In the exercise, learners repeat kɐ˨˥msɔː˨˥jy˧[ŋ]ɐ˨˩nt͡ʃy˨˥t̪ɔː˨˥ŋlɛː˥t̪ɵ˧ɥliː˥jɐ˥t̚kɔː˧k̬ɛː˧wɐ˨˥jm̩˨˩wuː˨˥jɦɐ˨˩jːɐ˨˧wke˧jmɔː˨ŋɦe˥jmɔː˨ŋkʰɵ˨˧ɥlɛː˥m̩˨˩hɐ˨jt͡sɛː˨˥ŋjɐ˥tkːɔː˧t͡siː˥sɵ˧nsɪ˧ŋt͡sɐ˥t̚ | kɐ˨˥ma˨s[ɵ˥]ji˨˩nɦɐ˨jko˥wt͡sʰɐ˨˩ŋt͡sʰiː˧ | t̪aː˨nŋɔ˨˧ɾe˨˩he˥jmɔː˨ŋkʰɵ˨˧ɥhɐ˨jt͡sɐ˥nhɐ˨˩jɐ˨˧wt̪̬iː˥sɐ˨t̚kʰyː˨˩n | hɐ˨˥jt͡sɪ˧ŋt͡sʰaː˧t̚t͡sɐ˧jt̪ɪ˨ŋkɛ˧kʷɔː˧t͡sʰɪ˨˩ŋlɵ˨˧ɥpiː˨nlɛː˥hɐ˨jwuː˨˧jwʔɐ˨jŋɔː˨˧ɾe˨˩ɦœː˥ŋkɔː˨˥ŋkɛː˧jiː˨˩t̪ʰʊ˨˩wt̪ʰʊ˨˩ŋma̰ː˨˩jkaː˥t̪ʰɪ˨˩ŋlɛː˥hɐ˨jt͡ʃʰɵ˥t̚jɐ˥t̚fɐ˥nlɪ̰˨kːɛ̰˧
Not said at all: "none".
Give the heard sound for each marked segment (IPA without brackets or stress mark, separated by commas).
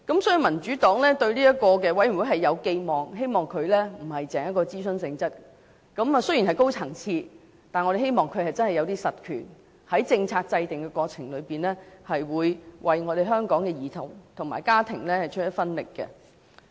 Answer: m, ɵ˥